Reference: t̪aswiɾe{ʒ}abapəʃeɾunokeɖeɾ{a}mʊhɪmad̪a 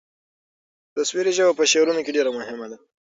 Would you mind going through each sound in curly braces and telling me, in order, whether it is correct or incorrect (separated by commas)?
correct, correct